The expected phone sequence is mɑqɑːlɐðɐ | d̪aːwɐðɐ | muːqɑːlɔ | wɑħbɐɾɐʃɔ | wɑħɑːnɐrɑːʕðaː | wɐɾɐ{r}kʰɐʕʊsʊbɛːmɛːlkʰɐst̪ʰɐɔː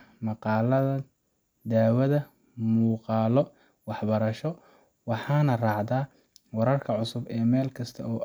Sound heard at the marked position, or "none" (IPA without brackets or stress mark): r